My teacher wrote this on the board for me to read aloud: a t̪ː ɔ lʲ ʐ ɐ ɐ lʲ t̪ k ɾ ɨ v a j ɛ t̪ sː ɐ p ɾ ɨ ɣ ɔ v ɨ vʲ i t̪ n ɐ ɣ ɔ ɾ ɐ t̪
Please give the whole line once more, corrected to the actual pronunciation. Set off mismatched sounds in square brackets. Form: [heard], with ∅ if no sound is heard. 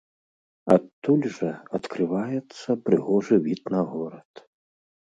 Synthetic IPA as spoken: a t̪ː [u] lʲ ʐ ɐ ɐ [∅] t̪ k ɾ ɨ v a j ɛ t̪ sː ɐ p ɾ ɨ ɣ ɔ [ʐ] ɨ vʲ i t̪ n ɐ ɣ ɔ ɾ ɐ t̪